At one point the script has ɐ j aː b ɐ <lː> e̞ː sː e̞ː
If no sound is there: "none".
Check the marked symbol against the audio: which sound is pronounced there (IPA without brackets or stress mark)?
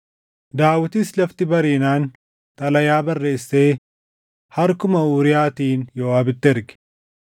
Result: rː